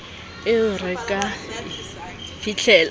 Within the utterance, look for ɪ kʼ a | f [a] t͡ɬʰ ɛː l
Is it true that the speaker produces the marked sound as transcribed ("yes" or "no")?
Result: no